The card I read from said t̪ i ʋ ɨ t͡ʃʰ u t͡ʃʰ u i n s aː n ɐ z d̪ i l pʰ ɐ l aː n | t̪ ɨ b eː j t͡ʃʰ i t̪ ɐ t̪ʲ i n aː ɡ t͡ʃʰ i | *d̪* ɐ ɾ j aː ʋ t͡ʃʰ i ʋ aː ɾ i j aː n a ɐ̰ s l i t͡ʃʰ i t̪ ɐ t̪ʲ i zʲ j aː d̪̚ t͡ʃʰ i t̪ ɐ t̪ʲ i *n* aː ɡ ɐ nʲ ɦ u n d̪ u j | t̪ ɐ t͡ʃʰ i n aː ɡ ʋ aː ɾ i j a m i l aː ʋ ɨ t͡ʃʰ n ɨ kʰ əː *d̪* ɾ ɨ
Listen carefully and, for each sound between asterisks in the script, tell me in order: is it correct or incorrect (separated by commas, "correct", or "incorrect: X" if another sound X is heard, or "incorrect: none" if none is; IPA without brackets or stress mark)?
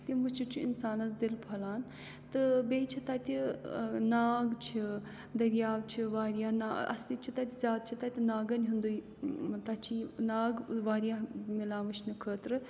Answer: correct, correct, incorrect: t̪